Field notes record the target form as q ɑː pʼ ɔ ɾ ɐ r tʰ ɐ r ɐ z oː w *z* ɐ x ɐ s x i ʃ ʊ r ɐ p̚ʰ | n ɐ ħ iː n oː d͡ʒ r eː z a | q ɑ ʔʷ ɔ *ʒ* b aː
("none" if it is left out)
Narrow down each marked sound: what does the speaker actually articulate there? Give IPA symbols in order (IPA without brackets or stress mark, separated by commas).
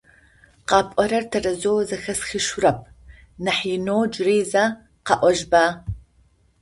z, ʒ